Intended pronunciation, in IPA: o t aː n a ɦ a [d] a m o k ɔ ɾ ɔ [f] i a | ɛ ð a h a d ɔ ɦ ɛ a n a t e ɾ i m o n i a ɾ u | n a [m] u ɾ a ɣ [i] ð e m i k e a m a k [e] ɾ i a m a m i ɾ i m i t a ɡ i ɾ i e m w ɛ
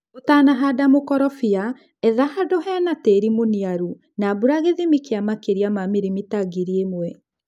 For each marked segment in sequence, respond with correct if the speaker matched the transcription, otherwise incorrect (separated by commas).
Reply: correct, correct, incorrect, incorrect, correct